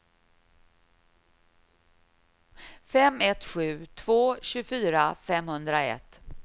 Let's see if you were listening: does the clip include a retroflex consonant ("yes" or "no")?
no